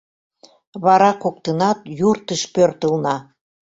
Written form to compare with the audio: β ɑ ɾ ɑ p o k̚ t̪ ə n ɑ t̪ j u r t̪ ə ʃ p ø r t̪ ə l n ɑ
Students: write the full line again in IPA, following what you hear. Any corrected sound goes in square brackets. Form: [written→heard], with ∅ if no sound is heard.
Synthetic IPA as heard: β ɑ ɾ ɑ [p→k] o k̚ t̪ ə n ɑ t̪ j u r t̪ ə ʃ p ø r t̪ ə l n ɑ